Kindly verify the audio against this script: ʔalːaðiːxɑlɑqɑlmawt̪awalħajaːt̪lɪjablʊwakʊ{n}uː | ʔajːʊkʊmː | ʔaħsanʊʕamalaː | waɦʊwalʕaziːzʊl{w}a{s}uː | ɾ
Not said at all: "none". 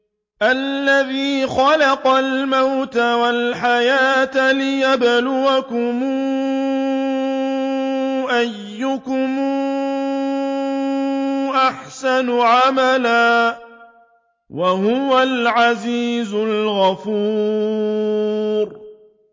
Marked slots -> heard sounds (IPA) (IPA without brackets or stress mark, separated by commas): m, ɣ, f